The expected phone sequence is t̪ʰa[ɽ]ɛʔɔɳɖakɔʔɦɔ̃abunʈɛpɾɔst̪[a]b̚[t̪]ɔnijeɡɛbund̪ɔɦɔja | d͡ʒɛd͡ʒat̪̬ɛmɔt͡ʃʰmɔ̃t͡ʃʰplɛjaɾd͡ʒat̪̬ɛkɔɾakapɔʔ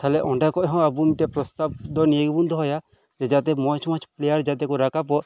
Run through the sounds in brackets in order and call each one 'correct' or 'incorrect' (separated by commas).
incorrect, correct, incorrect